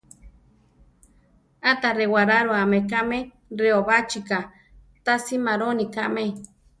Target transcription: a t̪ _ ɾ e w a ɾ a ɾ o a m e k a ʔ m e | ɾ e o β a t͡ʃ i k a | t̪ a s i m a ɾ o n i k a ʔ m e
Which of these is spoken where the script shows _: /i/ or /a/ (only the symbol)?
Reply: a